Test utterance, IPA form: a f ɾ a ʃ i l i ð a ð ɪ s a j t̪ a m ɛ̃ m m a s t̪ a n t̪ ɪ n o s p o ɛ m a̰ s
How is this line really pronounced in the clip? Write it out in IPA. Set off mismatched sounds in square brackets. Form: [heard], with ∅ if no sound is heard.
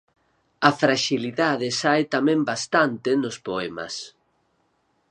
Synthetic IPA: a f ɾ a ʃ i l i ð a ð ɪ s a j t̪ a m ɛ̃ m [b] a s t̪ a n t̪ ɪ n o s p o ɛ m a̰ s

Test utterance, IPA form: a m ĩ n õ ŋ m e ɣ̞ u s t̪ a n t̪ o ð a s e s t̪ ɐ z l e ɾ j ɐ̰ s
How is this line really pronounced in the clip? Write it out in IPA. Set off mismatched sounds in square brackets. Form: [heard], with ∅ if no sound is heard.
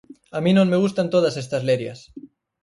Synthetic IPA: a m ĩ n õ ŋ m e ɣ̞ u s t̪ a n t̪ o ð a s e s t̪ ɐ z l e ɾ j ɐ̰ s

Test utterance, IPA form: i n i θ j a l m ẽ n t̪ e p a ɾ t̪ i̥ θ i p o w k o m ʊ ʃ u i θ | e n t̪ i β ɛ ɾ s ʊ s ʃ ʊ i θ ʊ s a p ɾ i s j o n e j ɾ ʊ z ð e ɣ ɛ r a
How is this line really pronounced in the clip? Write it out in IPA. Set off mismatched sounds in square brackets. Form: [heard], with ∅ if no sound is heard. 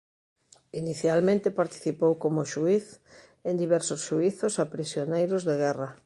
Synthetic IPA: i n i θ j a l m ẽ n t̪ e p a ɾ t̪ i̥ θ i p o w k o m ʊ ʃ u i θ | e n [d̪] i β ɛ ɾ s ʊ s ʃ [u] i θ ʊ s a p ɾ i s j o n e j ɾ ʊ z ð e ɣ ɛ r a

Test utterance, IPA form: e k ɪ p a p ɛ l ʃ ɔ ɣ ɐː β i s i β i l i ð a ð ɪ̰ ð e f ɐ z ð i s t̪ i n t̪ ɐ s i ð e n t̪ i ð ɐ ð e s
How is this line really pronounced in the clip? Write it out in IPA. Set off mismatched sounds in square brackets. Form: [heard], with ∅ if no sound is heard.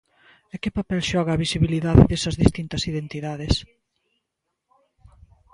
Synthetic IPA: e k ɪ p a p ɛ l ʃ ɔ ɣ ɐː β i s i β i l i ð a ð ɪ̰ ð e [s] ɐ z ð i s t̪ i n t̪ ɐ s i ð e n t̪ i ð [a] ð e s

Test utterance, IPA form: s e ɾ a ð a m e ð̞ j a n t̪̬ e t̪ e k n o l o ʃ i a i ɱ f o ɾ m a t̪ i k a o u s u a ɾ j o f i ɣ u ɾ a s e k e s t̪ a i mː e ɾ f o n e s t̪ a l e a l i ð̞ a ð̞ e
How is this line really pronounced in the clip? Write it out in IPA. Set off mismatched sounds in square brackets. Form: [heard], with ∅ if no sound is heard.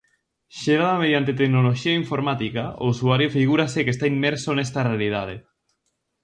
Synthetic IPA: [ʃ] e ɾ a ð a m e ð̞ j a n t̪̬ e t̪ e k n o l o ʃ i a i ɱ f o ɾ m a t̪ i k a o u s u a ɾ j o f i ɣ u ɾ a s e k e s t̪ a i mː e ɾ [s] o n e s t̪ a [r] e a l i ð̞ a ð̞ e

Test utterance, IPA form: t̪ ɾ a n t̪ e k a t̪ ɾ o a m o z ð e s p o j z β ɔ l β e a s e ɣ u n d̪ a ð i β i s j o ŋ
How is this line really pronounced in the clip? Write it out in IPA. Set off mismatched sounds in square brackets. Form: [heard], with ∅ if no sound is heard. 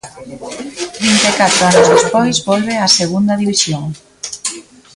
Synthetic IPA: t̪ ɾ [i] n t̪ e k a t̪ ɾ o a [n] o z ð e s p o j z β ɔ l β e a s e ɣ u n d̪ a ð i β i s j o ŋ

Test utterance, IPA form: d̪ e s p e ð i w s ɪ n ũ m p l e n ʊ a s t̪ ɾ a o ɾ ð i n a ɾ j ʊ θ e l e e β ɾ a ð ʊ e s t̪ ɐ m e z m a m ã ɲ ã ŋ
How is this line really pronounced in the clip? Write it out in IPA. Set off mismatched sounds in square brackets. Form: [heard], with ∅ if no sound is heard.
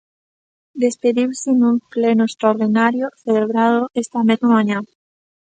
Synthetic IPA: d̪ e s p e ð i w s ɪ n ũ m p l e n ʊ [e] s t̪ ɾ a o ɾ ð i n a ɾ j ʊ θ e l e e β ɾ a ð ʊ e s t̪ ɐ m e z m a m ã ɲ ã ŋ

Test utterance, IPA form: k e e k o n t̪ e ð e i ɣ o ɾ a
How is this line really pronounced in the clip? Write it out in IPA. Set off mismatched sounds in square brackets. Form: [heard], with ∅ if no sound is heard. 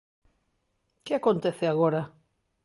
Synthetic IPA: k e [a] k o n t̪ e [θ] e [a] ɣ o ɾ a

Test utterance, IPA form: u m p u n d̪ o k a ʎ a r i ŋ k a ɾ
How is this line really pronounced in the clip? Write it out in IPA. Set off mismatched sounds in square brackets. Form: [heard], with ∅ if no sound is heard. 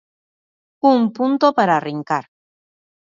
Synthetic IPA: u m p u n [t̪] o [p] a [ɾ] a r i ŋ k a ɾ

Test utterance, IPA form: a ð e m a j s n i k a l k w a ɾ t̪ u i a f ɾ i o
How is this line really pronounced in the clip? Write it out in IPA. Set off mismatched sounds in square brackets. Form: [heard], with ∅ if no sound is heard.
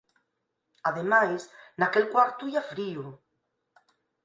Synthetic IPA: a ð e m a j s n [a] k [e] l k w a ɾ t̪ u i a f ɾ i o

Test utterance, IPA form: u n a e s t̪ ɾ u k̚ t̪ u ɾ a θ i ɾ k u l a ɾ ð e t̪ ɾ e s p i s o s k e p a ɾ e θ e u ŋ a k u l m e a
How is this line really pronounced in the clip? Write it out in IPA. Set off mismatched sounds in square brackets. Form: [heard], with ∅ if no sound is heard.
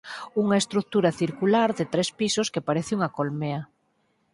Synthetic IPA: u [ŋ] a e s t̪ ɾ u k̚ t̪ u ɾ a θ i ɾ k u l a ɾ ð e t̪ ɾ e s p i s o s k e p a ɾ e θ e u ŋ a k [o] l m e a

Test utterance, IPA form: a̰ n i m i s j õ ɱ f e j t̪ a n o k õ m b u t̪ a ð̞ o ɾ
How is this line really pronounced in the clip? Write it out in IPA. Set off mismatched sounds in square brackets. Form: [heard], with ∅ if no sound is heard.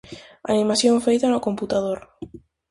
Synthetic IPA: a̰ n i m [a] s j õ ɱ f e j t̪ a n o k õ m [p] u t̪ a ð̞ o ɾ

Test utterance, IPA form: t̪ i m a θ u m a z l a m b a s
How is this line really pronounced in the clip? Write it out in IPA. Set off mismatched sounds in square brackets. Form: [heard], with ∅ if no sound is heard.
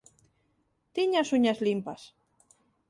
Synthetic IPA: t̪ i [ɲ] a [s] u [ɲ] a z l [i] m [p] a s

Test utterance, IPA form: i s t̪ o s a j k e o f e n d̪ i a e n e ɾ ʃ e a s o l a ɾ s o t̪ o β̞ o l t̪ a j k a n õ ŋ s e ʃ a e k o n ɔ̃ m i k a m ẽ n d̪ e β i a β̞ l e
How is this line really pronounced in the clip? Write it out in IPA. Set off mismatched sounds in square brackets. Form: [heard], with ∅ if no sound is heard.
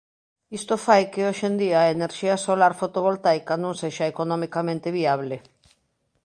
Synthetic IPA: i s t̪ o [f] a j k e o [ʃ] e n d̪ i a e n e ɾ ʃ [i] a s o l a ɾ [f] o t̪ o β̞ o l t̪ a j k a n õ ŋ s e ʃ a e k o n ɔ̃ m i k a m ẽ n [t̪] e β i a β̞ l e

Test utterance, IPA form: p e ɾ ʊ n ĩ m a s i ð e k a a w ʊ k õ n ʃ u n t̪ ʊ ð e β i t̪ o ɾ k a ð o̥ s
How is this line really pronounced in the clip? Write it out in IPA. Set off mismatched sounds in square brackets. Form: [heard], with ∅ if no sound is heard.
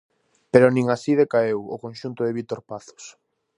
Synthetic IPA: p e ɾ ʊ n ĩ [ŋ] a s i ð e k a [e] w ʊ k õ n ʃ u n t̪ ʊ ð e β i t̪ o ɾ [p] a [θ] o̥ s

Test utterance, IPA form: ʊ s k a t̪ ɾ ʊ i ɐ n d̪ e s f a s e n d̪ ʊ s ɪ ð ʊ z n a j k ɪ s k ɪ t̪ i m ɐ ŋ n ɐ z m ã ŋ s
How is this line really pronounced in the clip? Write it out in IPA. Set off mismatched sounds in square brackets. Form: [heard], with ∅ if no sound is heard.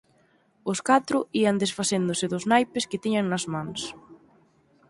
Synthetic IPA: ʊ s k a t̪ ɾ ʊ i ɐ n d̪ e s f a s e n d̪ ʊ s ɪ ð ʊ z n a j [p] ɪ s k ɪ t̪ i [ɲ] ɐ ŋ n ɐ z m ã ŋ s

